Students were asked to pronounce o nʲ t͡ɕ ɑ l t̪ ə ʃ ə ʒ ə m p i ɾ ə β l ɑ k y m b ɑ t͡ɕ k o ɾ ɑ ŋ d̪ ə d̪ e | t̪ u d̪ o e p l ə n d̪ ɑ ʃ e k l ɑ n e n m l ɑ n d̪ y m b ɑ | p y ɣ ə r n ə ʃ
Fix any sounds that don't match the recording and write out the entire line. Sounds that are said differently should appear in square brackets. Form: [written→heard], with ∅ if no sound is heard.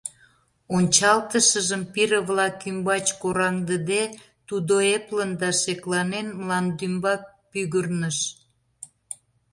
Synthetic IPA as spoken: o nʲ t͡ɕ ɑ l t̪ ə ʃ ə ʒ ə m p i ɾ ə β l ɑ k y m b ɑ t͡ɕ k o ɾ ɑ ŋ d̪ ə d̪ e | t̪ u d̪ o e p l ə n d̪ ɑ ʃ e k l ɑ n e n m l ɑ n d̪ y m b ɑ | p y ɣ ə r n ə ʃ